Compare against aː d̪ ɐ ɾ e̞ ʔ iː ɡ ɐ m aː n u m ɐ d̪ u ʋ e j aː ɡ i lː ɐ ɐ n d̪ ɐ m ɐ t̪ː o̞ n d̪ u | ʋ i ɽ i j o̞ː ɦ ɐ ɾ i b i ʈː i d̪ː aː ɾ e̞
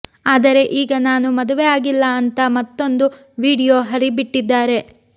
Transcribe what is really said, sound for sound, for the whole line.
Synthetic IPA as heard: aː d̪ ɐ ɾ e̞ ʔ iː ɡ ɐ n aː n u m ɐ d̪ u ʋ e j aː ɡ i lː ɐ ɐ n t̪ ɐ m ɐ t̪ː o̞ n d̪ u | ʋ iː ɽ i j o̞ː ɦ ɐ ɾ i b i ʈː i d̪ː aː ɾ e̞

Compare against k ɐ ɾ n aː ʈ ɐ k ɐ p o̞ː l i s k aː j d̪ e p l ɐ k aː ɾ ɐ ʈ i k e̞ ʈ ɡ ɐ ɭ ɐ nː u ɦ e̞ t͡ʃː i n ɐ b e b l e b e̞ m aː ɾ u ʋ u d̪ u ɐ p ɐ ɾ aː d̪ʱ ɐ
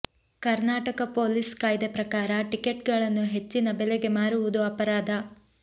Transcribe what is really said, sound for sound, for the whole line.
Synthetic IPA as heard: k ɐ ɾ n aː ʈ ɐ k ɐ p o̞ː l i s k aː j d̪ e p ɾ ɐ k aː ɾ ɐ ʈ i k e̞ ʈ ɡ ɐ ɭ ɐ nː u ɦ e̞ t͡ʃː i n ɐ b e l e ɡ e̞ m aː ɾ u ʋ u d̪ u ɐ p ɐ ɾ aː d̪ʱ ɐ

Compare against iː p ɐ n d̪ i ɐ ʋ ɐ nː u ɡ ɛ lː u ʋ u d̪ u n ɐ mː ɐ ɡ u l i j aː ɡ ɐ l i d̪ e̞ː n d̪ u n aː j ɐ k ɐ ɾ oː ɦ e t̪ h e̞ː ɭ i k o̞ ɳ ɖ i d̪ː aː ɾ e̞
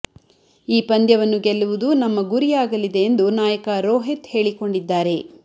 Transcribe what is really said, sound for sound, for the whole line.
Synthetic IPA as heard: iː p ɐ n d̪ j ɐ ʋ ɐ nː u ɡ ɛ lː u ʋ u d̪ u n ɐ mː ɐ ɡ u ɾ i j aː ɡ ɐ l i d̪ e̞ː n d̪ u n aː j ɐ k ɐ ɾ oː ɦ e t̪ h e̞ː ɭ i k o̞ ɳ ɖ i d̪ː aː ɾ e̞

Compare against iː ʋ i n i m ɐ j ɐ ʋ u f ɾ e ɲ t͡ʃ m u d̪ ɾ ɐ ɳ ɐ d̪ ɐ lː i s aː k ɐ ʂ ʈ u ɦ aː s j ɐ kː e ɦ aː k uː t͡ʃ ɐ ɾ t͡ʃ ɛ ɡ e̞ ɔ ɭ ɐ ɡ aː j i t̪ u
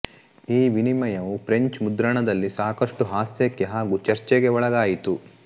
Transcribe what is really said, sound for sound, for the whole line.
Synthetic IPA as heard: iː ʋ i n i m ɐ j ɐ ʋ u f ɾ e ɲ t͡ʃ m u d̪ ɾ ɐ ɳ ɐ d̪ ɐ lː i s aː k ɐ ʂ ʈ u ɦ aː s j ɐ kː e ɦ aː ɡ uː t͡ʃ ɐ ɾ t͡ʃ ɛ ɡ e̞ ɔ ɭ ɐ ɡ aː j i t̪ u

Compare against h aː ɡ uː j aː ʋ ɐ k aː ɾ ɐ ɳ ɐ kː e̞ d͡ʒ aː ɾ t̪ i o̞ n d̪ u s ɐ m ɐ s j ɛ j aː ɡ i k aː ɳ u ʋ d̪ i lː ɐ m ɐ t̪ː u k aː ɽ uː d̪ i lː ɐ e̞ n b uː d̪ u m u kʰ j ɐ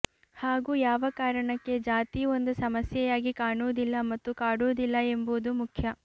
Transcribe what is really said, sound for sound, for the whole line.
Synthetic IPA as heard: h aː ɡ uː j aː ʋ ɐ k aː ɾ ɐ ɳ ɐ kː e̞ d͡ʒ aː t̪ i o̞ n d̪ u s ɐ m ɐ s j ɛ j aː ɡ i k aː ɳ u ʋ d̪ i lː ɐ m ɐ t̪ː u k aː ɽ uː d̪ i lː ɐ e̞ m b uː d̪ u m u kʰ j ɐ

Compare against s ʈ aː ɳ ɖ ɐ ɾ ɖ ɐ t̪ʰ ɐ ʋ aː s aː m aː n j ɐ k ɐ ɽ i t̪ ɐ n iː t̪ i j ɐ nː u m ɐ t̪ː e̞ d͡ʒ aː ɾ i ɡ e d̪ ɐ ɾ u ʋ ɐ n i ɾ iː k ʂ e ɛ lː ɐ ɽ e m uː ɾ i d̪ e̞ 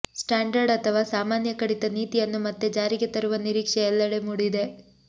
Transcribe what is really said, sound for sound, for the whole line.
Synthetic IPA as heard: s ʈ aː ɳ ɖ ɐ ɾ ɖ ɐ t̪ʰ ɐ ʋ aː s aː m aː n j ɐ k ɐ ɽ i t̪ ɐ n iː t̪ i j ɐ nː u m ɐ t̪ː e̞ d͡ʒ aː ɾ i ɡ e t̪ ɐ ɾ u ʋ ɐ n i ɾ iː k ʂ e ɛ lː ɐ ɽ e m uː ɽ i d̪ e̞

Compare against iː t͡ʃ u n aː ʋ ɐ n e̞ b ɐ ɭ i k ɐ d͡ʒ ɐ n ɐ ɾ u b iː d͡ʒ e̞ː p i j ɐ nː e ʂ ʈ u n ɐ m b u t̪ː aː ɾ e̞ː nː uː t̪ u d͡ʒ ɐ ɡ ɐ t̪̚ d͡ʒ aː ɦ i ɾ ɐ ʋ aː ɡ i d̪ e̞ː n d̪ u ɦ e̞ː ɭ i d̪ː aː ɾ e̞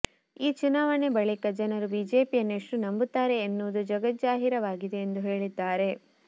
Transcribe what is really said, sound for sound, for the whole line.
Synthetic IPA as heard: iː t͡ʃ u n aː ʋ ɐ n e̞ b ɐ ɭ i k ɐ d͡ʒ ɐ n ɐ ɾ u b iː d͡ʒ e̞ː p i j ɐ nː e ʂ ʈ u n ɐ m b u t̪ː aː ɾ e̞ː nː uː d̪ u d͡ʒ ɐ ɡ ɐ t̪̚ d͡ʒ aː ɦ i ɾ ɐ ʋ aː ɡ i d̪ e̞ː n d̪ u ɦ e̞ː ɭ i d̪ː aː ɾ e̞

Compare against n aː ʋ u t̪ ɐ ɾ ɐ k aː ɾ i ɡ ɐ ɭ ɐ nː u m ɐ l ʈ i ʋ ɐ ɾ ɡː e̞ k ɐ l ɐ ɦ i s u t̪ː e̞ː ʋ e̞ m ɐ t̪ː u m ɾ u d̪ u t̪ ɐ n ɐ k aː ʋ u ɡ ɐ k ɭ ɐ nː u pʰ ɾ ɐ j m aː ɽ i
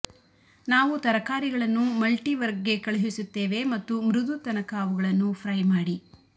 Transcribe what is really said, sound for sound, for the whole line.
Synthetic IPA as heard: n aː ʋ u t̪ ɐ ɾ ɐ k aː ɾ i ɡ ɐ ɭ ɐ nː u m ɐ l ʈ i ʋ ɐ ɾ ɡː e̞ k ɐ ɭ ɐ ɦ i s u t̪ː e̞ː ʋ e̞ m ɐ t̪ː u m ɾ u d̪ u t̪ ɐ n ɐ k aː ʋ u ɡ ɐ ɭ ɐ nː u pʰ ɾ ɐ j m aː ɽ i

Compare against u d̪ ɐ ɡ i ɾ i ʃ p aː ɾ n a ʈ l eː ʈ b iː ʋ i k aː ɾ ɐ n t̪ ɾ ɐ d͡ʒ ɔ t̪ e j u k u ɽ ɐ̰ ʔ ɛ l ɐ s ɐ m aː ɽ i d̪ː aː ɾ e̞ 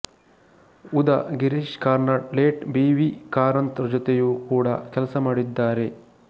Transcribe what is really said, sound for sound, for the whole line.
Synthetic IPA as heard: u d̪ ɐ ɡ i ɾ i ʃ k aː ɾ n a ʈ l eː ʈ b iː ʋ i k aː ɾ ɐ n t̪ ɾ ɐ d͡ʒ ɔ t̪ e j u k uː ɽ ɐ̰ k ɛ l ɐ s ɐ m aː ɽ i d̪ː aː ɾ e̞

